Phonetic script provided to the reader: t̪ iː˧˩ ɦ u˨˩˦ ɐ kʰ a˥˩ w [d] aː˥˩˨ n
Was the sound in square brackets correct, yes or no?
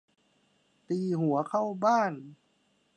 no